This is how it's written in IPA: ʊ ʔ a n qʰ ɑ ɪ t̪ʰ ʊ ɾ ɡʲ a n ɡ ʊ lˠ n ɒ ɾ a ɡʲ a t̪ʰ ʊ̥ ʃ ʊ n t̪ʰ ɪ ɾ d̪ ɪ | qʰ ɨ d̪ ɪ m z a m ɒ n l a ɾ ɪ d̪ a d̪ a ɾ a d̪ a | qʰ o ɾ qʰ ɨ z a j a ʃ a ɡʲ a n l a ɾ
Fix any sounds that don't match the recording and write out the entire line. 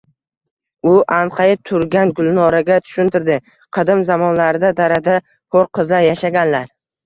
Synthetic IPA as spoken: ʊ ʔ a n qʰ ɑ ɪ t̪ʰ ʊ ɾ ɡʲ a n ɡ ʊ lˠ n ɒ ɾ a ɡʲ a t̪ʰ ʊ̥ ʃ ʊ n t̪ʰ ɪ ɾ d̪ ɪ | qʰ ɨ d̪ ɪ m z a m ɒ n l a ɾ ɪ d̪ a d̪ a ɾ a d̪ a | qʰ o ɾ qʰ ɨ z a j a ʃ a ɡʲ a n l a ɾ

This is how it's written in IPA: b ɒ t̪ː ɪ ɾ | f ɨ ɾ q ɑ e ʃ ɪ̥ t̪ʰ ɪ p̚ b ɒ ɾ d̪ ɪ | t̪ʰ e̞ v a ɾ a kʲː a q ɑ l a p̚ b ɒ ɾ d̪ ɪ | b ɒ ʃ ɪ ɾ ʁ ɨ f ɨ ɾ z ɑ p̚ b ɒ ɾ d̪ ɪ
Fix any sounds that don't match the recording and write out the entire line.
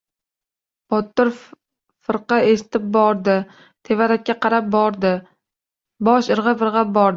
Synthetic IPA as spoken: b ɒ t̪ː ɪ ɾ | f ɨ ɾ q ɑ e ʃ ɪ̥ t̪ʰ ɪ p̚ b ɒ ɾ d̪ ɪ | t̪ʰ e̞ v a ɾ a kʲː a q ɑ ɾ a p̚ b ɒ ɾ d̪ ɪ | b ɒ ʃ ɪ ɾ ʁ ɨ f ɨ ɾ ʁ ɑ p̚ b ɒ ɾ d̪ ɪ

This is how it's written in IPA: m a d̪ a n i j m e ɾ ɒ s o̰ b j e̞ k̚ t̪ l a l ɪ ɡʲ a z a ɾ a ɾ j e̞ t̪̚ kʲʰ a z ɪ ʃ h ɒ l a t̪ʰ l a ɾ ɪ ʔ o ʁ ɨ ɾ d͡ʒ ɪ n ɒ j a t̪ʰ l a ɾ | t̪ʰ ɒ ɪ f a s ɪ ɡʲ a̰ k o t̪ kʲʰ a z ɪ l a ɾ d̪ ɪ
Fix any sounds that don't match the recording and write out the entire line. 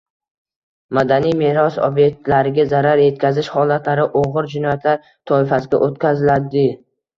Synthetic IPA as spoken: m a d̪ a n i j m e ɾ ɒ s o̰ b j e̞ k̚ t̪ l a ɾ ɪ ɡʲ a z a ɾ a ɾ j e̞ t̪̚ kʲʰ a z ɪ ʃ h ɒ l a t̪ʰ l a ɾ ɪ ʔ o ʁ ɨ ɾ d͡ʒ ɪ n ɒ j a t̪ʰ l a ɾ | t̪ʰ ɒ ɪ f a s ɪ ɡʲ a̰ ʔ o t̪ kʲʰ a z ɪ l a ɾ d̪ ɪ

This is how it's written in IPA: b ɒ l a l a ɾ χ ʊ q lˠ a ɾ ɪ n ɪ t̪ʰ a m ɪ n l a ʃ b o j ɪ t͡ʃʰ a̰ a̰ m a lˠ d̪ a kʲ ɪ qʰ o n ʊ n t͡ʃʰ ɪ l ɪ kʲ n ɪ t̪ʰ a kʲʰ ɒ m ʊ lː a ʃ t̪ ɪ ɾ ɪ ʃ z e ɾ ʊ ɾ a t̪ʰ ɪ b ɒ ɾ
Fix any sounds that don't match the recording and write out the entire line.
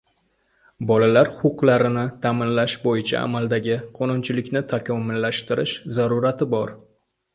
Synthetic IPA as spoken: b ɒ l a l a ɾ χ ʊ q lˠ a ɾ ɪ n ɪ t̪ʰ a m ɪ n l a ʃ b o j ɪ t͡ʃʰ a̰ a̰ m a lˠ d̪ a ɡʲ ɪ qʰ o n ʊ n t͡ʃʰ ɪ l ɪ kʲ n ɪ t̪ʰ a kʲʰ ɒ m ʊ lː a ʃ t̪ ɪ ɾ ɪ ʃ z a ɾ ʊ ɾ a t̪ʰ ɪ b ɒ ɾ

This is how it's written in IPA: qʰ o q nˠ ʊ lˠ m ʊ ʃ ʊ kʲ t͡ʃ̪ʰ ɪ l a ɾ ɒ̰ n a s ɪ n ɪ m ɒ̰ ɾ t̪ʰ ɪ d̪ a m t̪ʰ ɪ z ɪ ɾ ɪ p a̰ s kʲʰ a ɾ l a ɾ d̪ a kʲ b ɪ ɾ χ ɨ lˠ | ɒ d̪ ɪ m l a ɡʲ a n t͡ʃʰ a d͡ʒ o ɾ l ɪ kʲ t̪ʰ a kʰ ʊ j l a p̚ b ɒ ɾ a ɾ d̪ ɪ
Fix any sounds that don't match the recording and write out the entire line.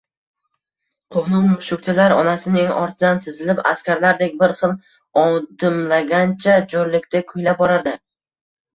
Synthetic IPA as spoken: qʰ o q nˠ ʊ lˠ m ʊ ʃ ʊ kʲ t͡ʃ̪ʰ ɪ l a ɾ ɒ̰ n a s ɪ n ɪ ŋ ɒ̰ ɾ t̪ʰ ɪ d̪ a n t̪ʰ ɪ z ɪ l ɪ p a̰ s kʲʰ a ɾ l a ɾ d̪ e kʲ b ɪ ɾ χ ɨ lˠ | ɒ d̪ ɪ m l a ɡʲ a n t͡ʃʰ a d͡ʒ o ɾ l ɪ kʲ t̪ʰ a kʰ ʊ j l a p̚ b ɒ ɾ a ɾ d̪ ɪ

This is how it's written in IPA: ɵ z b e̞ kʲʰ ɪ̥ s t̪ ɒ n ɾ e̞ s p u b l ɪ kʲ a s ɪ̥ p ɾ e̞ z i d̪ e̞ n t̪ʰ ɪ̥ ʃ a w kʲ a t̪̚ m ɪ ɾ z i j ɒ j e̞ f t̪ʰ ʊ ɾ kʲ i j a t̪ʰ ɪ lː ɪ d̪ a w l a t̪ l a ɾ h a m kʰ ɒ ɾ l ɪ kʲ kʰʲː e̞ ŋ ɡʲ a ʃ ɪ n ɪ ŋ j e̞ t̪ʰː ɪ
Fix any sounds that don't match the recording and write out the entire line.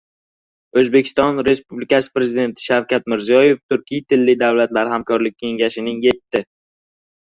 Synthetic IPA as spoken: ɵ z b e̞ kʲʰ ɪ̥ s t̪ ɒ n ɾ e̞ s p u b l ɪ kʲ a s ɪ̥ p ɾ e̞ z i d̪ e̞ n t̪ʰ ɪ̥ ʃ a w kʲ a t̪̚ m ɪ ɾ z i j ɒ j e̞ f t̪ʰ ʊ ɾ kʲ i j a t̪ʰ ɪ lː ɪ d̪ a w l a t̪ l a ɾ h a m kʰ ɒ ɾ l ɪ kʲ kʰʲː e̞ ŋ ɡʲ a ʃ ɪ n ɪ ŋ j e̞ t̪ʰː ɪ

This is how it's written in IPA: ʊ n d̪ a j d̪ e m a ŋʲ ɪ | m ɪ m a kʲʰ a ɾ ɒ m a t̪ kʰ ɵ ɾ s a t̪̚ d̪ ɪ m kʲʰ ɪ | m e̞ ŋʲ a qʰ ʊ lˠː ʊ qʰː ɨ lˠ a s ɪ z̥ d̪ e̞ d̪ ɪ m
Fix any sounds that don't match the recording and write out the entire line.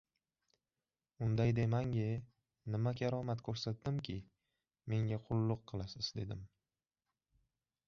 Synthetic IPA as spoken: ʊ n d̪ a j d̪ e m a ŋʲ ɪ | n ɪ m a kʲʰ a ɾ ɒ m a t̪ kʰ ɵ ɾ s a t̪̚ d̪ ɪ m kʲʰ ɪ | m e̞ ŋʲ a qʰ ʊ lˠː ʊ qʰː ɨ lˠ a s ɪ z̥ d̪ e̞ d̪ ɪ m

